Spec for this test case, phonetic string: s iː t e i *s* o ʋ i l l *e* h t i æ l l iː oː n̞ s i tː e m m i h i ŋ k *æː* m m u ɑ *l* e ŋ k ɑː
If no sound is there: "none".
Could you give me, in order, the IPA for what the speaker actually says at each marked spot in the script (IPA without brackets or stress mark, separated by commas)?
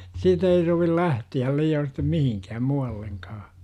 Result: s, æ, æː, lː